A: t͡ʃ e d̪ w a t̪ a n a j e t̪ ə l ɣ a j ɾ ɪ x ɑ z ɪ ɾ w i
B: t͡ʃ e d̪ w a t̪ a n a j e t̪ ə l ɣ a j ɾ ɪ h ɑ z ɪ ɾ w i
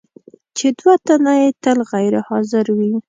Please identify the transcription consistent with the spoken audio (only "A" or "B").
B